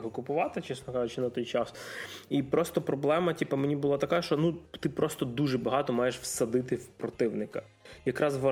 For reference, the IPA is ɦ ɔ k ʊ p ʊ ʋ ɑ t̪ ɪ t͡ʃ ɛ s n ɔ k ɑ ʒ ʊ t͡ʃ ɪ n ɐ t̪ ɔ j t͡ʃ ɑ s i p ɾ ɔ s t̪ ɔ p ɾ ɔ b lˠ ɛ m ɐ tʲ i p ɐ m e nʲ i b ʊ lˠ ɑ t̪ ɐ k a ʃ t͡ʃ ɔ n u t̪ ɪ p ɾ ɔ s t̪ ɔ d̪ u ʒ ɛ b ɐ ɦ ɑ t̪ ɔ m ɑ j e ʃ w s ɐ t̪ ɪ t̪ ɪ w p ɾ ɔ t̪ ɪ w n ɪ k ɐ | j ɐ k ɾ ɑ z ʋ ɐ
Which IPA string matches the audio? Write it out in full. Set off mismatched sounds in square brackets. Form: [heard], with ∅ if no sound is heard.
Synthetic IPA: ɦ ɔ k ʊ p ʊ ʋ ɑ t̪ ɪ t͡ʃ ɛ s n ɔ k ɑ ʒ ʊ t͡ʃ ɪ n ɐ t̪ ɔ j t͡ʃ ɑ s i p ɾ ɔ s t̪ ɔ p ɾ ɔ b lˠ ɛ m ɐ tʲ i p ɐ m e nʲ i b ʊ lˠ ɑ t̪ ɐ k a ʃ t͡ʃ ɔ n u t̪ ɪ p ɾ ɔ s t̪ ɔ d̪ u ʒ ɛ b ɐ ɦ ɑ t̪ ɔ m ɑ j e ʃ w s ɐ [d̪] ɪ t̪ ɪ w p ɾ ɔ t̪ ɪ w n ɪ k ɐ | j ɐ k ɾ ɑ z ʋ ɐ